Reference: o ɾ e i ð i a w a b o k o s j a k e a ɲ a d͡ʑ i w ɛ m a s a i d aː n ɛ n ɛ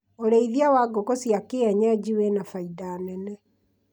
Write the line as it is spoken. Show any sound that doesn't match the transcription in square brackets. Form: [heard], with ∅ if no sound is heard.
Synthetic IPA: o ɾ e i ð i a w a [ɡ] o k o s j a k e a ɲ a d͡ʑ i w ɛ [n] a [f] a i d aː n ɛ n ɛ

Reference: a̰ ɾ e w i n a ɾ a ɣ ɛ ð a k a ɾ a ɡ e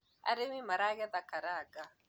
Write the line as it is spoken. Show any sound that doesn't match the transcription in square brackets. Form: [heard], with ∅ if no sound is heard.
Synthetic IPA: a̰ ɾ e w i [m] a ɾ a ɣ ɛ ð a k a ɾ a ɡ [a]

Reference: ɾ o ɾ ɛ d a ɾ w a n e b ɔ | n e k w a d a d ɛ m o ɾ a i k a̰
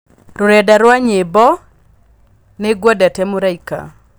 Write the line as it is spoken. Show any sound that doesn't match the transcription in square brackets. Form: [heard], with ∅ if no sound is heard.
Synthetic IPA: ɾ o ɾ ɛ d a ɾ w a [ɲ] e b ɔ | n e [ɡ] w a d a [t] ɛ m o ɾ a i k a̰

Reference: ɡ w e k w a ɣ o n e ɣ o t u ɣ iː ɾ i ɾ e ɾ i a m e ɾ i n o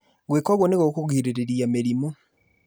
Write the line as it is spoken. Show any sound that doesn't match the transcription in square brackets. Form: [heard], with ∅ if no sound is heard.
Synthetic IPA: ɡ w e k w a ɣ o n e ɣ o [k] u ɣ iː ɾ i ɾ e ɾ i a m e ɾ i [m] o

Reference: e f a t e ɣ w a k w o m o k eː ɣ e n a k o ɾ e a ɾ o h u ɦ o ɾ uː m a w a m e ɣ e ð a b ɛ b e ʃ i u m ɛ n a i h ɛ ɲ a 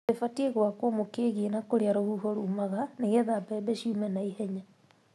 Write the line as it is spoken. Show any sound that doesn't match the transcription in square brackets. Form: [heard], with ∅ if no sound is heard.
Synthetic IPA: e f a t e ɣ w a k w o m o k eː ɣ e n a k o ɾ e a ɾ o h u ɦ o ɾ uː m a [ɣ] a [n] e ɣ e ð a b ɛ b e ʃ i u m ɛ n a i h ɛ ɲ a

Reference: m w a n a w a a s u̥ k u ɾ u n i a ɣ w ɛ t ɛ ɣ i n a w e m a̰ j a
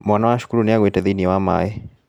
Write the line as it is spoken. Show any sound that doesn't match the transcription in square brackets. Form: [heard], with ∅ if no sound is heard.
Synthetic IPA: m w a n a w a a [ʃ] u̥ k u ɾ u n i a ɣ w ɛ t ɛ [ð] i n [i] w [a] m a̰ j [ɛ]

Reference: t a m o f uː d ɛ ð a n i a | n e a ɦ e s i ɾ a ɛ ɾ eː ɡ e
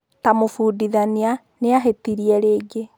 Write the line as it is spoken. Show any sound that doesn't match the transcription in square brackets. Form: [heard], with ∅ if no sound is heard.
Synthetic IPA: t a m o f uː d [i] ð a n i a | n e a ɦ e [t] i ɾ [i] ɛ ɾ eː ɡ e

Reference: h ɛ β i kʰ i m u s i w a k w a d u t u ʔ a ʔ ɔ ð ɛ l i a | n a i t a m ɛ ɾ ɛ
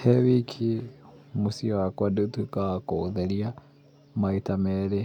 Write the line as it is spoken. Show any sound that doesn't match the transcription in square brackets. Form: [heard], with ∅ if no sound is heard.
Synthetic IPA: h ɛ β i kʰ i m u s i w a k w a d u t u [k] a [k] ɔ ð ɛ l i a | [m] a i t a m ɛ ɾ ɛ

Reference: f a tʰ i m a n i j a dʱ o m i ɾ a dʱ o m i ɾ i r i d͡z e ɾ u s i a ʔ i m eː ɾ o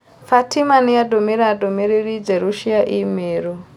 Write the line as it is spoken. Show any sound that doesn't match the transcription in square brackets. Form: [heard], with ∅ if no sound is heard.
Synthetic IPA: f a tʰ i m a n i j a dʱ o m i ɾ a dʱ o m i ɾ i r i d͡z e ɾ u [ʃ] i a ʔ i m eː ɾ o

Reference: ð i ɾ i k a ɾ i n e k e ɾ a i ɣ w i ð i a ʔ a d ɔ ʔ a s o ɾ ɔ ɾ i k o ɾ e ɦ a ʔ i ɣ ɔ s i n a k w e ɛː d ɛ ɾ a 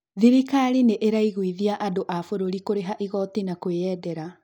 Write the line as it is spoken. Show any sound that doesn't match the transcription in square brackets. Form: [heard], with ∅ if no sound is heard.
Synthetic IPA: ð i ɾ i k a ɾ i n e [ʔ] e ɾ a i ɣ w i ð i a ʔ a d [o] ʔ a [f] o ɾ [o] ɾ i k o ɾ e ɦ a ʔ i ɣ ɔ [t] i n a k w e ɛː d ɛ ɾ a

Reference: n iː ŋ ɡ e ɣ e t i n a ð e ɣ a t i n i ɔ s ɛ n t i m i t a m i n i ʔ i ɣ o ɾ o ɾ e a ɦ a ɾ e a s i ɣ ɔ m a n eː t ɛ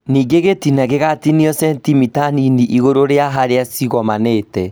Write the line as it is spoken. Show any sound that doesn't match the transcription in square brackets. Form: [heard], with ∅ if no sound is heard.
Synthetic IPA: n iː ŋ ɡ e ɣ e t i n a [ɣ] e ɣ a t i n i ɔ s ɛ n t i m i t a [n] i n i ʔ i ɣ o ɾ o ɾ e a ɦ a ɾ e a s i ɣ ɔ m a n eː t ɛ

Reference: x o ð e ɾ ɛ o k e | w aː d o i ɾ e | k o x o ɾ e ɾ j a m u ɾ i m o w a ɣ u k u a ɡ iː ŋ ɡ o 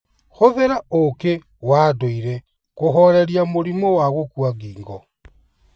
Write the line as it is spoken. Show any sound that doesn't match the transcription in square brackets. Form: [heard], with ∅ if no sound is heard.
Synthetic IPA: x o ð e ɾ [a] o k e | w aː d o i ɾ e | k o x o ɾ e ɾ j a m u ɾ i m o w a ɣ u k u a ɡ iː ŋ ɡ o

